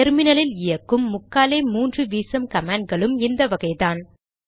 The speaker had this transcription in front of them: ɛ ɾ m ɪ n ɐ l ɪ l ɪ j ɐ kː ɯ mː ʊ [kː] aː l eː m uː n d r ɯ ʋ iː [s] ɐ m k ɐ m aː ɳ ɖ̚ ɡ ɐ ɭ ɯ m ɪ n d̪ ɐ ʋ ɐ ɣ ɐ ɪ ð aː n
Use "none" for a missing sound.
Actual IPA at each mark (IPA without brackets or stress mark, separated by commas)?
kː, s